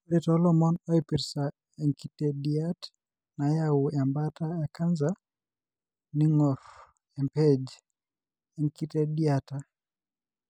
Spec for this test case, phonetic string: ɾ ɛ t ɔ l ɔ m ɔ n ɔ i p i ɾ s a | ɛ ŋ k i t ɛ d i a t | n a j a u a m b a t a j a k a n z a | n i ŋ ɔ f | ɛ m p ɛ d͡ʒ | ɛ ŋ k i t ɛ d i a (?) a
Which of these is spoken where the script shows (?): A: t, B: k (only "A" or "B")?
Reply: A